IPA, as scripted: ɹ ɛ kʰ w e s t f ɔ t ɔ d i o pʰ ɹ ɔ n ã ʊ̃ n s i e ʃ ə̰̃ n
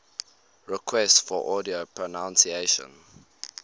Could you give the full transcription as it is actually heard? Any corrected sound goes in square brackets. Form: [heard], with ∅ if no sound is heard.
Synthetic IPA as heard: ɹ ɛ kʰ w [ɛ] s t f ɔ [ʔ] ɔ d i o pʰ ɹ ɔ n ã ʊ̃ n s i e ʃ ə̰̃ n